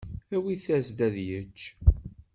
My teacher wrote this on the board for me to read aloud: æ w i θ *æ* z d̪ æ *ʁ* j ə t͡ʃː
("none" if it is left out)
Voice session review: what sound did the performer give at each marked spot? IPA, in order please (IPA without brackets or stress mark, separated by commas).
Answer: æ, ð